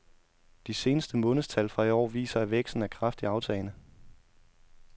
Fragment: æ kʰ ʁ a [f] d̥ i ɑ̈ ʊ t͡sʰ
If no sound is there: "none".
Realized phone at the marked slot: f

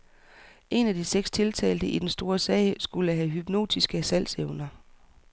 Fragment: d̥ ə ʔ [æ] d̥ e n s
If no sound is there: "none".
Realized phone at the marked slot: i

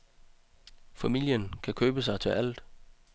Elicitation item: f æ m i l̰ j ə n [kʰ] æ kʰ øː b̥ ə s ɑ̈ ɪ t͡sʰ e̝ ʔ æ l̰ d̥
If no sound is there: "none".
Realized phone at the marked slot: kʰ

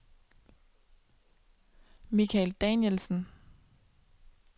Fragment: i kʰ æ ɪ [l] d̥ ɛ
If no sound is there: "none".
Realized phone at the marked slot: l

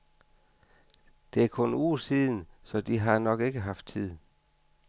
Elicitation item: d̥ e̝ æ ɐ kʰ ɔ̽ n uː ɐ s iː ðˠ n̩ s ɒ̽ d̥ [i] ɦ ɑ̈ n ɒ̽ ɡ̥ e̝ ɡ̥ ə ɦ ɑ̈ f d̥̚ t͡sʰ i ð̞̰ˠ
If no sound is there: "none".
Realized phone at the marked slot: i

